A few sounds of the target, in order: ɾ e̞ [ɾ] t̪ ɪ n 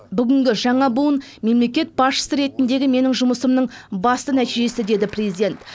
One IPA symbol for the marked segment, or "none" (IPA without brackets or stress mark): none